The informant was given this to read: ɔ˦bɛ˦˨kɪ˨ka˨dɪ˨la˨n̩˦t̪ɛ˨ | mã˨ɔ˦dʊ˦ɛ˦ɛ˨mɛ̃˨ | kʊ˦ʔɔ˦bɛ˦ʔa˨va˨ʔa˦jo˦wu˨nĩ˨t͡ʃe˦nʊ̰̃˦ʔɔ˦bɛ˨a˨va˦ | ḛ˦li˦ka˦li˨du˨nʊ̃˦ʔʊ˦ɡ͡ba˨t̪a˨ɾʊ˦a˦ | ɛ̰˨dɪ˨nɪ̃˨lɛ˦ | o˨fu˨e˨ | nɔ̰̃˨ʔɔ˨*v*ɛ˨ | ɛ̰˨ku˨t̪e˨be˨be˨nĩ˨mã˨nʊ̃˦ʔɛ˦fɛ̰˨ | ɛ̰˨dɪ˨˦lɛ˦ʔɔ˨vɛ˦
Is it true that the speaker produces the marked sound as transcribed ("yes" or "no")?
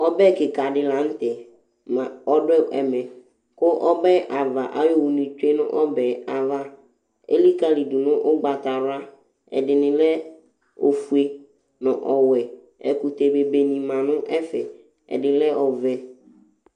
no